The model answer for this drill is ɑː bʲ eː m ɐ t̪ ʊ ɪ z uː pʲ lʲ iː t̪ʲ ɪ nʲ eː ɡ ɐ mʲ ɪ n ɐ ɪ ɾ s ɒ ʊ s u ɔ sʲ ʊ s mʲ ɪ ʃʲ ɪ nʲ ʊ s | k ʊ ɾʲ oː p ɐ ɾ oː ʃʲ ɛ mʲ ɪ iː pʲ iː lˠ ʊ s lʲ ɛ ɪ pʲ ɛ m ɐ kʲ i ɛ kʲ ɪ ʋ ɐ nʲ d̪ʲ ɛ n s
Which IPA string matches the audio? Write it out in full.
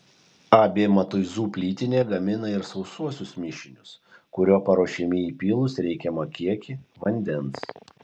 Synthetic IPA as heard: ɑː bʲ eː m ɐ t̪ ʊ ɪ z uː pʲ lʲ iː t̪ʲ ɪ nʲ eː ɡ ɐ mʲ ɪ n ɐ ɪ ɾ s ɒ ʊ s u ɔ sʲ ʊ s mʲ ɪ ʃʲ ɪ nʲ ʊ s | k ʊ ɾʲ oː p ɐ ɾ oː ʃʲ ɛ mʲ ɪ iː pʲ iː lˠ ʊ s ɾʲ ɛ ɪ kʲ ɛ m ɐ kʲ i ɛ kʲ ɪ ʋ ɐ nʲ d̪ʲ ɛ n s